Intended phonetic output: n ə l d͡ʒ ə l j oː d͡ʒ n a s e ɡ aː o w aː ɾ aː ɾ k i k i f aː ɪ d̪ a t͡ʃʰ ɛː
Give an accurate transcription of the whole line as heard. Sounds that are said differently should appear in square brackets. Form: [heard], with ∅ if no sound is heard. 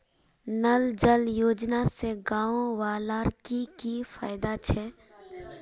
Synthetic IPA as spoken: n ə l d͡ʒ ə l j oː d͡ʒ n a s e ɡ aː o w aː [l] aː ɾ k i k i f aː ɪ d̪ a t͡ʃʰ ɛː